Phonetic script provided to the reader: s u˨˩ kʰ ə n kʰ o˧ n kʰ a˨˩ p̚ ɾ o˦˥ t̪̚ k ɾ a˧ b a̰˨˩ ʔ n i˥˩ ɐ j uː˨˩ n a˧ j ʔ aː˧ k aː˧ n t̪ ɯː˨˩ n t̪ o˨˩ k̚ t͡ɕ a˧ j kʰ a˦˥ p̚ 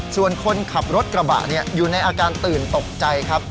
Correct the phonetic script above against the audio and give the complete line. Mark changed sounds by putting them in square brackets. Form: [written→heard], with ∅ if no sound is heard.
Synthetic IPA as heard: s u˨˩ [kʰ→∅] ə n kʰ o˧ n kʰ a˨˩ p̚ ɾ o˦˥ t̪̚ k ɾ a˧ b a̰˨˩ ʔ n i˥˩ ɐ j uː˨˩ n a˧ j ʔ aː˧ k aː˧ n t̪ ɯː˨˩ n t̪ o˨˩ k̚ t͡ɕ a˧ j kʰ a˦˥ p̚